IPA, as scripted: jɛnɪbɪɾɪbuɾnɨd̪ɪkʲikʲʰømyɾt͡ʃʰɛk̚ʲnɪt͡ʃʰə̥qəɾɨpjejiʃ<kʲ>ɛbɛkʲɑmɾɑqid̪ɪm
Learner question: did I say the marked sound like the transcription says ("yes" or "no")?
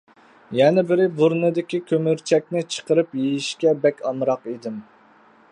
yes